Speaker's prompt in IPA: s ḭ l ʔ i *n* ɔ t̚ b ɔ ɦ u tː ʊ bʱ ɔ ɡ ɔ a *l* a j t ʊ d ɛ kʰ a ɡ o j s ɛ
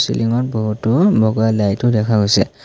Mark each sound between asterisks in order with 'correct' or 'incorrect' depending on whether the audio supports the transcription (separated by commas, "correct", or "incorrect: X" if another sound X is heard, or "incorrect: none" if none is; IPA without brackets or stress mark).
incorrect: ŋ, correct